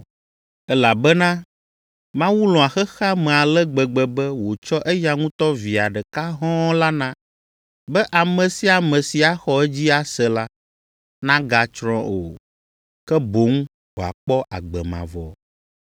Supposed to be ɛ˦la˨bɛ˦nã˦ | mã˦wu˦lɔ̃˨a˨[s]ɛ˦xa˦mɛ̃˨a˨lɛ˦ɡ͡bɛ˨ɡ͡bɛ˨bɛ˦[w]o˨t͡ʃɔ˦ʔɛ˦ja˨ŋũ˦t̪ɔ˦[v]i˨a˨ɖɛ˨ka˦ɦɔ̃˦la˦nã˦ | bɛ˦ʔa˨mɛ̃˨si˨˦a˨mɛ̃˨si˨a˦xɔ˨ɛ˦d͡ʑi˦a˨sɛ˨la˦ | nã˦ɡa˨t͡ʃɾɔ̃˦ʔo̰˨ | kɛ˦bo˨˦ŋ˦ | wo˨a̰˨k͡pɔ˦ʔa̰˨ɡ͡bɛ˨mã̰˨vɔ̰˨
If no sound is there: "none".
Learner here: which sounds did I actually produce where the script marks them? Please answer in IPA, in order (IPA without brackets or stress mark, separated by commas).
x, w, v